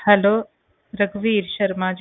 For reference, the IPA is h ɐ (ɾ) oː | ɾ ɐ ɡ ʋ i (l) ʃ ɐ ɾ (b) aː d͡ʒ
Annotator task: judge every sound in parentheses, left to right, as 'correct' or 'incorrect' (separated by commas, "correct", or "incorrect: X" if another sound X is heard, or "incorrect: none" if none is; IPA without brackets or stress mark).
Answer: incorrect: l, incorrect: ɾ, incorrect: m